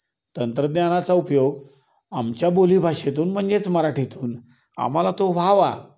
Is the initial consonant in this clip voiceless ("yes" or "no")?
yes